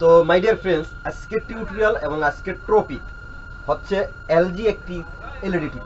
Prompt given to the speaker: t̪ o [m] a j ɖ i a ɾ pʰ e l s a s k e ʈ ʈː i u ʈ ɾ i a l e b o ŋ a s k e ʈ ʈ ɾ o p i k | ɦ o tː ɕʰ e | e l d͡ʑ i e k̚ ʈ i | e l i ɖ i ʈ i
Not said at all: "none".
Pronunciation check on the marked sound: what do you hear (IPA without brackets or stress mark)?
m